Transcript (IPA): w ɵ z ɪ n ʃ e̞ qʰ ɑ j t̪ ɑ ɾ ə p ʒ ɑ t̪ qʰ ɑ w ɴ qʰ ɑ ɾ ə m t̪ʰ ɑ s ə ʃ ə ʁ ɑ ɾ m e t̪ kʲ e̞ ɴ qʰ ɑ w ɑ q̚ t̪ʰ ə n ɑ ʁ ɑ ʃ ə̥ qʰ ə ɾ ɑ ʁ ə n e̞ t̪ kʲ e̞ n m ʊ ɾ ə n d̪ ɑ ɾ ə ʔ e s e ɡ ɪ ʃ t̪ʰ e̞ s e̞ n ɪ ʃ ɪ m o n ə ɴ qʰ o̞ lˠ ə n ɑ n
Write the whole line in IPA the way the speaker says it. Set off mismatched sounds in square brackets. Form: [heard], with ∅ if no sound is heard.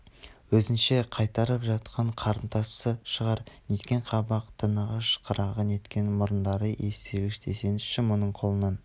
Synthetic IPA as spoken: w ɵ z ɪ n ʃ e̞ qʰ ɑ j t̪ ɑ ɾ ə p ʒ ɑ t̪ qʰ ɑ [∅] ɴ qʰ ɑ ɾ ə m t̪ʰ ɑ s ə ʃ ə ʁ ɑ ɾ [n] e t̪ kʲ e̞ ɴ qʰ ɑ [b] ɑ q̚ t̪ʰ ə n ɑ ʁ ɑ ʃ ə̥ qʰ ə ɾ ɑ ʁ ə n e̞ t̪ kʲ e̞ n m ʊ ɾ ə n d̪ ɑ ɾ ə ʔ e s e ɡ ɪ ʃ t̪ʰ e̞ s e̞ n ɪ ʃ ɪ m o n ə ɴ qʰ o̞ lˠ ə n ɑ n